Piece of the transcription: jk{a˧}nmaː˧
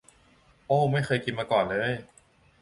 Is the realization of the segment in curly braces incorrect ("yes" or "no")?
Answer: yes